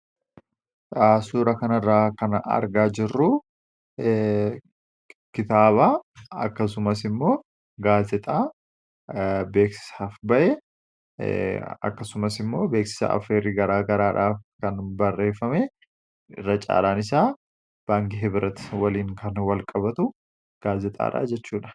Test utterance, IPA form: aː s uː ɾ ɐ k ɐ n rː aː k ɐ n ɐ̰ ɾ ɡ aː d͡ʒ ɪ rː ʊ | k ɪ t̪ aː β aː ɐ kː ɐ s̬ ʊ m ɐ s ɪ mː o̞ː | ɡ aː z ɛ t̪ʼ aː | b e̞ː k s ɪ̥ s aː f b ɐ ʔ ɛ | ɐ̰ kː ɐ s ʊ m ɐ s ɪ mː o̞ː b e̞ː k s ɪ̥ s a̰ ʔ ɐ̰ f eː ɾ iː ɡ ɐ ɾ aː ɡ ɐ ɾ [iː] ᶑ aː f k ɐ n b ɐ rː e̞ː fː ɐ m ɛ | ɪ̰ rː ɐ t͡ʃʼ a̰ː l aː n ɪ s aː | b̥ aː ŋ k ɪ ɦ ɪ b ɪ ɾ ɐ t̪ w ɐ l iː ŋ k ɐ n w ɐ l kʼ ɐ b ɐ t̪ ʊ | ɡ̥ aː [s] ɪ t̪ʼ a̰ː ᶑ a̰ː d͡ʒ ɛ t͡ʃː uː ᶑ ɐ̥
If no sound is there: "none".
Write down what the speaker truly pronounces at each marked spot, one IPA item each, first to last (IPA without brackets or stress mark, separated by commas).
aː, z